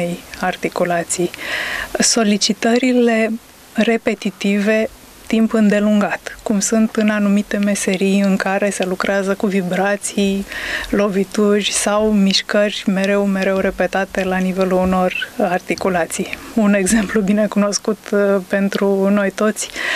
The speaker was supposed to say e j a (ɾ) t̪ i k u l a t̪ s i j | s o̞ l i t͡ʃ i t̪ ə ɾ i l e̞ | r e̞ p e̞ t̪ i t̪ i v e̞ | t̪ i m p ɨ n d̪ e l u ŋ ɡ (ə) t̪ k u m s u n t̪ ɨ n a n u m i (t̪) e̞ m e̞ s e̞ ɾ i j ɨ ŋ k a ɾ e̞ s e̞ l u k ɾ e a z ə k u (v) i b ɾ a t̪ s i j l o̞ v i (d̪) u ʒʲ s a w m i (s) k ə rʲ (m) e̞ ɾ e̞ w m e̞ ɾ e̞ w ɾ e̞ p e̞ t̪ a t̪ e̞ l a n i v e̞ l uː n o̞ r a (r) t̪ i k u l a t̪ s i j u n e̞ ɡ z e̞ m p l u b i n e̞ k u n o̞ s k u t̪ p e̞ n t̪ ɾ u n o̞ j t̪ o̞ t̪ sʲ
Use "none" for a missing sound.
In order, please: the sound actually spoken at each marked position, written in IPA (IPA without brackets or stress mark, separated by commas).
r, a, t̪, v, t̪, ʃ, m, r